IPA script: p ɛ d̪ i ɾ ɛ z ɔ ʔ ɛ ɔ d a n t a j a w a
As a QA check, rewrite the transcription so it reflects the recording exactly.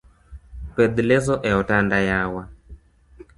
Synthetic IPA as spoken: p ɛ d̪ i l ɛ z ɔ ʔ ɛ ɔ t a n d a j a w a